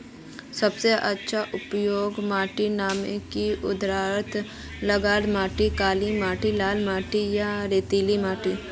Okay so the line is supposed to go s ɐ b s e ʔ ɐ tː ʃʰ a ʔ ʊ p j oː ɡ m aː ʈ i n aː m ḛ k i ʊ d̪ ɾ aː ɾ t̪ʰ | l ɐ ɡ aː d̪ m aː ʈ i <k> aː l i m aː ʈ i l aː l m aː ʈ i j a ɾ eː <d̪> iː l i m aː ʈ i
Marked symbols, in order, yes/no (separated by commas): yes, no